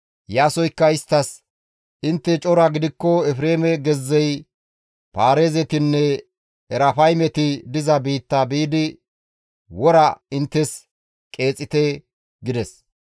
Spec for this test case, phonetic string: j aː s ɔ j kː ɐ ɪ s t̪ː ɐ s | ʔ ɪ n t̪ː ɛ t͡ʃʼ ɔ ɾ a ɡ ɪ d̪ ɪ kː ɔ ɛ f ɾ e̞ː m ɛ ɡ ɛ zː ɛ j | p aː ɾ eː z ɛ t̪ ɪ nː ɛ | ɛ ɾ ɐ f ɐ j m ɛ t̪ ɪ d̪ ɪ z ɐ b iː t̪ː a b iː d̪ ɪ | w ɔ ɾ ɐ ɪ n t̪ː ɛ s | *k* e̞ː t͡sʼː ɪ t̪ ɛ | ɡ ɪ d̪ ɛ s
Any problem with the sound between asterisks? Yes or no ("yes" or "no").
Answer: yes